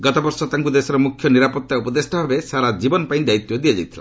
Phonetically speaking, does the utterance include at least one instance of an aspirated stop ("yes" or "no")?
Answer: yes